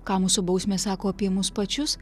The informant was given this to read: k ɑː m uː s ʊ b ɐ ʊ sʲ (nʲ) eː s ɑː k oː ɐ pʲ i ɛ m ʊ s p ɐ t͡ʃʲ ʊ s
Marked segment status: incorrect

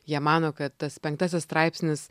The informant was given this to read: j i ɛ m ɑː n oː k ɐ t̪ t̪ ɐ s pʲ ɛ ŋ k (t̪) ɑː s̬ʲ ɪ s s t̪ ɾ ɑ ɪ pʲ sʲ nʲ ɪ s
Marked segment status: correct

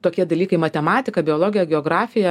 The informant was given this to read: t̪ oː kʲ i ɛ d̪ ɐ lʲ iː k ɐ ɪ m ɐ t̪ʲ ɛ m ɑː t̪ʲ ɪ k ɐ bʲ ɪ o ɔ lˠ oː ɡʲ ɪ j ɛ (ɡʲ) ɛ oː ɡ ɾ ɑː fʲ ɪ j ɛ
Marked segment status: correct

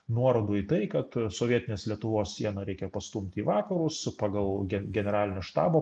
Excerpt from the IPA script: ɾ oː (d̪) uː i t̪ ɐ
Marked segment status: correct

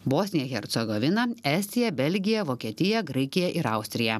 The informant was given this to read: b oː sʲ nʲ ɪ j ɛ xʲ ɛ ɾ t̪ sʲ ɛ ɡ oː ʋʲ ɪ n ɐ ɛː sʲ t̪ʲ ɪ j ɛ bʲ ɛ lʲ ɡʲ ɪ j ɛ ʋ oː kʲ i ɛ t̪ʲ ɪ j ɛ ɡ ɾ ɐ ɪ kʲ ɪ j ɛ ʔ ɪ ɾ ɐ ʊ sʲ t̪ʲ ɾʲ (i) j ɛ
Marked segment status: incorrect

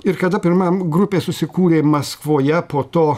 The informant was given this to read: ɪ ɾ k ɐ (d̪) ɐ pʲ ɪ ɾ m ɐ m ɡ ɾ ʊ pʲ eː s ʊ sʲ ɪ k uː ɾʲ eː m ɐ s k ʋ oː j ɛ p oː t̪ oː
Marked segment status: correct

